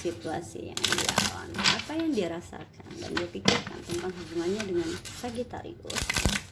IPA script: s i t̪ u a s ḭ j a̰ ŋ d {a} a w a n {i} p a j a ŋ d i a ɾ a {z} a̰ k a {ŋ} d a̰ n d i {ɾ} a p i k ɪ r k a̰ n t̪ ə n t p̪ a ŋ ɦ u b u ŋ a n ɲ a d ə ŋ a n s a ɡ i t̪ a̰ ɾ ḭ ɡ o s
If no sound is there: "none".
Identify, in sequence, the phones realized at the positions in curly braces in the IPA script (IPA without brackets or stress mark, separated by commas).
i, a, s, n, none